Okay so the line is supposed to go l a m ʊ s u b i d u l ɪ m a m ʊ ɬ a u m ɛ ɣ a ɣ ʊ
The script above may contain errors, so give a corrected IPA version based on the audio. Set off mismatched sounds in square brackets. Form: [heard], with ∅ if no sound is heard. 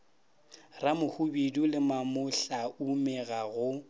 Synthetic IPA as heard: [r] a m ʊ [h] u b i d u l ɪ m a m ʊ ɬ a u m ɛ ɣ a ɣ ʊ